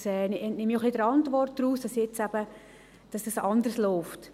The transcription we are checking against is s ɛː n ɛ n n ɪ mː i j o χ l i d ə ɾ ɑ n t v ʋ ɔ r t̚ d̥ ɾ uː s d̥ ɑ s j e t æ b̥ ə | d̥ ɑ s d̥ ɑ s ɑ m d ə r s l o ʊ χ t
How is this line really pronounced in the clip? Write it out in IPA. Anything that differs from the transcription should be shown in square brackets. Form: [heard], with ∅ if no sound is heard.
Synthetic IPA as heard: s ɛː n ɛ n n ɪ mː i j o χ l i d ə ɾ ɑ n t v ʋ ɔ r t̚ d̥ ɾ uː s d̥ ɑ s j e [t͡s] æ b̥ ə | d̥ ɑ s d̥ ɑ s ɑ [n] d ə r s l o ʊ [f] t